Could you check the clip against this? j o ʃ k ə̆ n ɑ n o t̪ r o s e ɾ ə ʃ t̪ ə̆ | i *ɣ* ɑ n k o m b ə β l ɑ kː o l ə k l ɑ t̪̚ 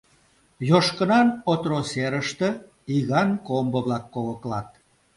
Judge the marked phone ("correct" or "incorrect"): correct